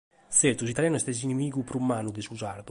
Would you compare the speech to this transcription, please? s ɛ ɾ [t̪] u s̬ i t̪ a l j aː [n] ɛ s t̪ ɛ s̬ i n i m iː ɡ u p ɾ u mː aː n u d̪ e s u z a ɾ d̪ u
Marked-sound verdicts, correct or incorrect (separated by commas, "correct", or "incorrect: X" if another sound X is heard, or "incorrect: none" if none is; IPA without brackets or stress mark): correct, correct